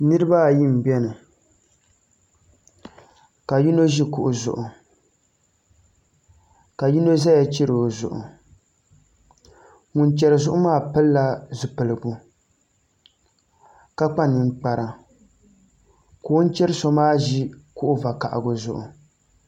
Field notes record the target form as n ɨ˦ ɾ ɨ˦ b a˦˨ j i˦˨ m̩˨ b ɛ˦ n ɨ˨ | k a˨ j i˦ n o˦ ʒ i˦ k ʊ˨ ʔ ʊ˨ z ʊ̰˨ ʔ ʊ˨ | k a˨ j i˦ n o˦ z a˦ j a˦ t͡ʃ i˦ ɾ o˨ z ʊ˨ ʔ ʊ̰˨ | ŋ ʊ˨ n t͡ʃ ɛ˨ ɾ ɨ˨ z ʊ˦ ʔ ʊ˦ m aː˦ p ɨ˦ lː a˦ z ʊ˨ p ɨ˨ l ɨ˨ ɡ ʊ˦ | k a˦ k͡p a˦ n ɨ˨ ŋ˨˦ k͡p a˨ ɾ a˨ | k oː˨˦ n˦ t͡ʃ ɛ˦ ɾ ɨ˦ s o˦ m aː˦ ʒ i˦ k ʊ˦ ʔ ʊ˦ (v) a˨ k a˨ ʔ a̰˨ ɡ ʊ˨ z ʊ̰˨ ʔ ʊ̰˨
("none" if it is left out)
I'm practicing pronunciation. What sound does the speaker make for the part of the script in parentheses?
v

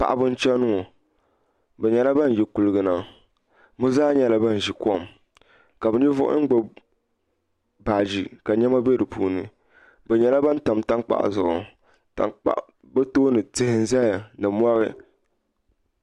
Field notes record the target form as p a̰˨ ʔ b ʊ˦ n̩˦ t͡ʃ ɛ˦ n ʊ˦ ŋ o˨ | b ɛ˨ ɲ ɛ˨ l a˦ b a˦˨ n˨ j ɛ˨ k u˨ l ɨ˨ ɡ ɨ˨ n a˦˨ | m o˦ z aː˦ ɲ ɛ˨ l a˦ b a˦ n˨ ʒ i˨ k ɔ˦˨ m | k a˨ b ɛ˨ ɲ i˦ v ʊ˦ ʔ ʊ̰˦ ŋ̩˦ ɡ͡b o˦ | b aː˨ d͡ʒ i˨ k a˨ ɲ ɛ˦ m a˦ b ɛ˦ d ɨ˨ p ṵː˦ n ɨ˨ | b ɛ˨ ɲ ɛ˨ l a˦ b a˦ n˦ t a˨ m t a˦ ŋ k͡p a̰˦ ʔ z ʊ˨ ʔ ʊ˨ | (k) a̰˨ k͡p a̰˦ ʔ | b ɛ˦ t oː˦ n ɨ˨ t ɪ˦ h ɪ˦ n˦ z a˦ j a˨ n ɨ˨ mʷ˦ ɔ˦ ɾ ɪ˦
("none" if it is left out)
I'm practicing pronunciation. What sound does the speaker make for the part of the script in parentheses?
t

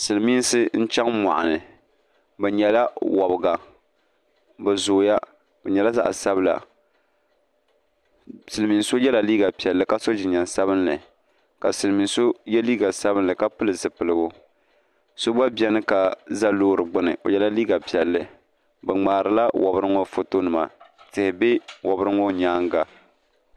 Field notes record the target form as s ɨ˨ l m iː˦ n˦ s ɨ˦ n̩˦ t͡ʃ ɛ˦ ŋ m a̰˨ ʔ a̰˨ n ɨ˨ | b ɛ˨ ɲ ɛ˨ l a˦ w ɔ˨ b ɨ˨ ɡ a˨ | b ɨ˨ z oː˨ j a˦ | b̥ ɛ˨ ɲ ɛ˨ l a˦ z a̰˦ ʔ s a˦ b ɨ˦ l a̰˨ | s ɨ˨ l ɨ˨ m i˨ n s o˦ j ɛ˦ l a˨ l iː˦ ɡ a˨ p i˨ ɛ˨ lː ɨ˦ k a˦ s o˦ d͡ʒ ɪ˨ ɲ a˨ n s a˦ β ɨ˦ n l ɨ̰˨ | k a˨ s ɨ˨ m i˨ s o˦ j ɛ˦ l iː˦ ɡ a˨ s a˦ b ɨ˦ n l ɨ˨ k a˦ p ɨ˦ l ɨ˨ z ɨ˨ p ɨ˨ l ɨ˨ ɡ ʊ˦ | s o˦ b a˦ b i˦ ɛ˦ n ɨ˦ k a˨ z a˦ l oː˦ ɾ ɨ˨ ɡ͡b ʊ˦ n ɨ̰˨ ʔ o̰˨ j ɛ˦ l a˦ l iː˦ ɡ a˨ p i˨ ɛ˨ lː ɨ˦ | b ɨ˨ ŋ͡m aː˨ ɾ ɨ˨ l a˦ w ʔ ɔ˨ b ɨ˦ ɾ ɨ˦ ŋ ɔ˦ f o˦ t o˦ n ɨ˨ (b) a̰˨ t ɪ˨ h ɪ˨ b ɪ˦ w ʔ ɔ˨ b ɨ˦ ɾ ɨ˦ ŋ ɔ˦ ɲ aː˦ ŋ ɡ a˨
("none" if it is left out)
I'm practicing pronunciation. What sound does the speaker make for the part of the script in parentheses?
m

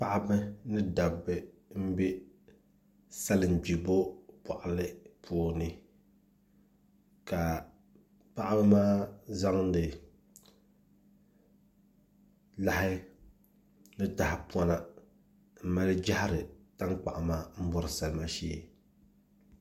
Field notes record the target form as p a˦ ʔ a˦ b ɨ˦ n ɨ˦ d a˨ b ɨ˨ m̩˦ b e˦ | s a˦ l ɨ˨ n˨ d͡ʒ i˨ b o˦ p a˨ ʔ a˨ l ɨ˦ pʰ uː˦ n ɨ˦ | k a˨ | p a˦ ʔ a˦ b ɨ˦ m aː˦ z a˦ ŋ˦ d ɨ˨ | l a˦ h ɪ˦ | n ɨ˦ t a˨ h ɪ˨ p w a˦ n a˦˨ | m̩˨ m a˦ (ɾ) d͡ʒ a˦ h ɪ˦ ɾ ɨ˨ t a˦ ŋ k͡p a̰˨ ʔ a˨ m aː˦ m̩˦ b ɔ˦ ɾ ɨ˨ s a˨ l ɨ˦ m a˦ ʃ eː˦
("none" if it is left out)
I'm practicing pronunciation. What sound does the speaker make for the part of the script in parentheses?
l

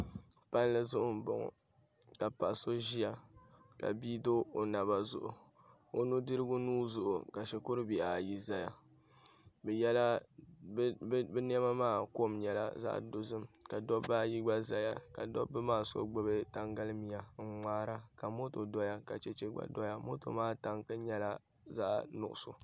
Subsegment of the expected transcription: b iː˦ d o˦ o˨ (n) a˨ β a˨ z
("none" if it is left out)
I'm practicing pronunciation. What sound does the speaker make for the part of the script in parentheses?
n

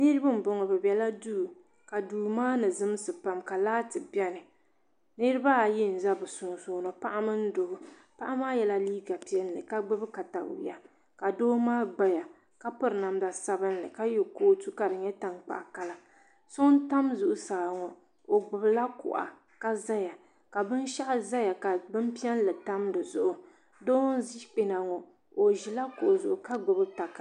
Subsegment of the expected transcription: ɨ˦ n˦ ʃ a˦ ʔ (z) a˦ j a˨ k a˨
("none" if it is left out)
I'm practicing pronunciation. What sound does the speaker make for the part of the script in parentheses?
z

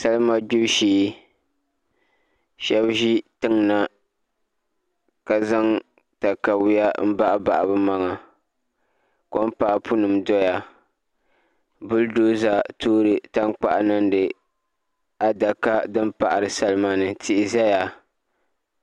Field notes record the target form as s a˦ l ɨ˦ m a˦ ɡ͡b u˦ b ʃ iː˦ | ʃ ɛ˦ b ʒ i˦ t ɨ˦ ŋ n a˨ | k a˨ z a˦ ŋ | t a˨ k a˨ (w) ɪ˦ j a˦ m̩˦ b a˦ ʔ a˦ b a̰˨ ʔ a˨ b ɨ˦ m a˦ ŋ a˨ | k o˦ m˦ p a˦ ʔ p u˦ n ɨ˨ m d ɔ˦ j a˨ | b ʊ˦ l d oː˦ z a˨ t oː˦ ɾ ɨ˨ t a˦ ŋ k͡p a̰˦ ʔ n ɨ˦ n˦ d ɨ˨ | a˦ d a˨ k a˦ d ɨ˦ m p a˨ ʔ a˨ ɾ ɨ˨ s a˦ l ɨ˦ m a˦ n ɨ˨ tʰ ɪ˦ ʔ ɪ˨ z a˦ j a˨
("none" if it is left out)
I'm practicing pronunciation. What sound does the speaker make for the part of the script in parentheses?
w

